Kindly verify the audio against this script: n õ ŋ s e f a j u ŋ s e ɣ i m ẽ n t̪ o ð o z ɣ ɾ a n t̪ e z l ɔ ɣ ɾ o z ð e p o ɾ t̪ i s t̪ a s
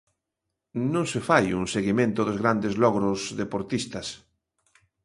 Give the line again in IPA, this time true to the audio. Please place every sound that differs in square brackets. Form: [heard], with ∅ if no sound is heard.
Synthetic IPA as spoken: n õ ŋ s e f a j u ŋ s e ɣ i m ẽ n t̪ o ð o z ɣ ɾ a n [d̪] e z l ɔ ɣ ɾ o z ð e p o ɾ t̪ i s t̪ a s